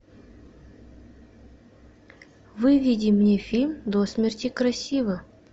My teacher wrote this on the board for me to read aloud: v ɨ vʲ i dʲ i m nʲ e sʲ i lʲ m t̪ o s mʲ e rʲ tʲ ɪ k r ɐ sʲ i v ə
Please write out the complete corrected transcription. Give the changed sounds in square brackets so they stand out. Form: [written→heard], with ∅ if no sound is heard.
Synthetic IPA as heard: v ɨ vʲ i dʲ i m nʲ e [sʲ→fʲ] i lʲ m [t̪→d̪] o s mʲ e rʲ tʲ [ɪ→i] k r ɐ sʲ i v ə